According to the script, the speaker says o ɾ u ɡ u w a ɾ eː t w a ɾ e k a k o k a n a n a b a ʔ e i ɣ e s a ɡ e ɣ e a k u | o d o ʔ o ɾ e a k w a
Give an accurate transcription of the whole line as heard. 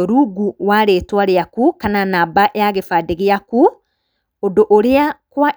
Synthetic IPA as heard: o ɾ u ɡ u w a ɾ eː t w a ɾ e a k u k a n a n a b a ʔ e a ɣ e f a d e ɣ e a k u | o d o ʔ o ɾ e a k w a